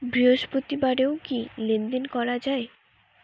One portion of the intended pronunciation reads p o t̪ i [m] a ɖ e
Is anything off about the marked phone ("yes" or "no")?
yes